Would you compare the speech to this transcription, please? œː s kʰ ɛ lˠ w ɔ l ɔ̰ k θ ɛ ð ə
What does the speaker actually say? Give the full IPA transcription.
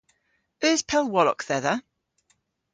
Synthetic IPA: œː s pʰ ɛ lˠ w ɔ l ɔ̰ k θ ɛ ð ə